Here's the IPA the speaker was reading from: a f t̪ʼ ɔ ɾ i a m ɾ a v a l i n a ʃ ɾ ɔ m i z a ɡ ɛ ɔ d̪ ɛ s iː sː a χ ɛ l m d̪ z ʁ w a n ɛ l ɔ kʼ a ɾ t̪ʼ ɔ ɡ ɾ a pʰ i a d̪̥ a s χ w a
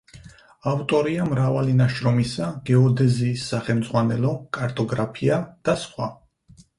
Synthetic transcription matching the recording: a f t̪ʼ ɔ ɾ i a m ɾ a v a l i n a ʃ ɾ ɔ m i s a ɡ ɛ ɔ d̪ ɛ z iː sː a χ ɛ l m d̪ z ʁ w a n ɛ l ɔ kʼ a ɾ t̪ʼ ɔ ɡ ɾ a pʰ i a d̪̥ a s χ w a